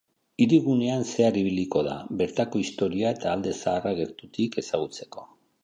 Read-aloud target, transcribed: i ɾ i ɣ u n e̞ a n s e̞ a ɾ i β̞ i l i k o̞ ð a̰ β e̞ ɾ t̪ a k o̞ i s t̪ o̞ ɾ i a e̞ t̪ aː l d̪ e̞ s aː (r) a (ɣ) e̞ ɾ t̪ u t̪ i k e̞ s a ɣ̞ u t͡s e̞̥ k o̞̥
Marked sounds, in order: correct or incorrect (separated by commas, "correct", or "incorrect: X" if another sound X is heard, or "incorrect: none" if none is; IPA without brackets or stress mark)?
correct, correct